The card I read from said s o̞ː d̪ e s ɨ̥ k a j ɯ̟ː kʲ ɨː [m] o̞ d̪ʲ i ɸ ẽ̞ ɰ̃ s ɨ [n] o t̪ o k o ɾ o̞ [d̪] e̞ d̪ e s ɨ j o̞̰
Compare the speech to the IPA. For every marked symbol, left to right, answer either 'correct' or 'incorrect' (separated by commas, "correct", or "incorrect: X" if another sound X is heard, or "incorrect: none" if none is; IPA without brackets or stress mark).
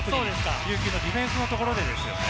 incorrect: n, correct, correct